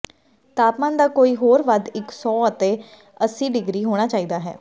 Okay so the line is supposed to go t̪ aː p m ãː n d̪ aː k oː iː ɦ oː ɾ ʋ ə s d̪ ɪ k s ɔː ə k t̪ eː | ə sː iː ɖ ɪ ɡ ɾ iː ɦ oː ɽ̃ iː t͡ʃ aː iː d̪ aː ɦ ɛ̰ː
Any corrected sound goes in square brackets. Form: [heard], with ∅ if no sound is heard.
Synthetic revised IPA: t̪ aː p m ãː n d̪ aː k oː iː ɦ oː ɾ ʋ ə [∅] d̪ ɪ k s ɔː ə [∅] t̪ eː | ə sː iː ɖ ɪ ɡ ɾ iː ɦ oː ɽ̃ [aː] t͡ʃ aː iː d̪ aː ɦ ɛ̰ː